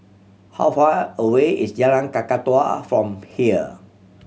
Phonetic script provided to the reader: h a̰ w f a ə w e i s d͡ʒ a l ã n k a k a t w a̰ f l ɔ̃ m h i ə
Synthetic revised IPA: h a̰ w f a ə w e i s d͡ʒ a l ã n k a k a t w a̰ f ɹ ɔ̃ m h i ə